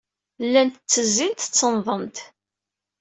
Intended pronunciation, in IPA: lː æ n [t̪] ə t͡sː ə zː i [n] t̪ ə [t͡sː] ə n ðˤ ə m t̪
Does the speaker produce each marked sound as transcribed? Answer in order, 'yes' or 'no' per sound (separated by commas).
yes, yes, yes